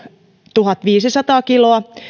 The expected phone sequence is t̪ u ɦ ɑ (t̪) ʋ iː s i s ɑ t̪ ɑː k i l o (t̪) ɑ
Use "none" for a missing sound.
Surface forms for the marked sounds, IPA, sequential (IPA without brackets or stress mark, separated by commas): t̪, none